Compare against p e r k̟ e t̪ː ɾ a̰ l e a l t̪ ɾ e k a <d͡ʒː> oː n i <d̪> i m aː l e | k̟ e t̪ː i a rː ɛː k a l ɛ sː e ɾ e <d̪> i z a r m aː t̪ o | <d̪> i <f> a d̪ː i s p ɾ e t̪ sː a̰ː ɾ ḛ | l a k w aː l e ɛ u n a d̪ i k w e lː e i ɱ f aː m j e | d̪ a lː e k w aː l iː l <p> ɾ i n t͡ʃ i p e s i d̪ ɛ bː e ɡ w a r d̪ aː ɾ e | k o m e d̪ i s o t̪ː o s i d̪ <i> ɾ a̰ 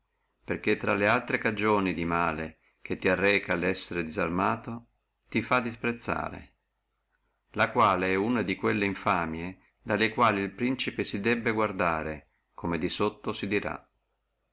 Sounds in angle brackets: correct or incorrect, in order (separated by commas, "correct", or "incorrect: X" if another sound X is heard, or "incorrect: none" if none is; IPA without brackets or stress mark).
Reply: incorrect: d͡ʒ, correct, correct, incorrect: t̪, correct, correct, correct